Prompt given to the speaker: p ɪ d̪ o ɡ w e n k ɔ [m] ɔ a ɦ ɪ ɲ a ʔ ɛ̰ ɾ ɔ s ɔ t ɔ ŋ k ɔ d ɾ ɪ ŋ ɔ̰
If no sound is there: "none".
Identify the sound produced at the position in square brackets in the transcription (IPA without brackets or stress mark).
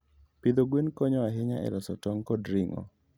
ɲ